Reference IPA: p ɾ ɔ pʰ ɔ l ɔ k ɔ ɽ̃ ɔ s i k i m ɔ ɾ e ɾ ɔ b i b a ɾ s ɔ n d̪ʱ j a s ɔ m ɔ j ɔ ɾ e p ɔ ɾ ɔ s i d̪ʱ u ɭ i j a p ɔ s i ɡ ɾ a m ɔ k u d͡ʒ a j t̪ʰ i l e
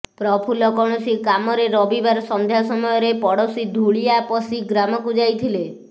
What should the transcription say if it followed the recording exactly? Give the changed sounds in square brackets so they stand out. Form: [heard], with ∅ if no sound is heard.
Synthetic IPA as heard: p ɾ ɔ pʰ [u] l ɔ k ɔ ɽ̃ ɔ s i k [a] m ɔ ɾ e ɾ ɔ b i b a ɾ s ɔ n d̪ʱ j a s ɔ m ɔ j ɔ ɾ e p ɔ [ɽ] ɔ s i d̪ʱ u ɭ i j a p ɔ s i ɡ ɾ a m ɔ k u d͡ʒ a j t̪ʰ i l e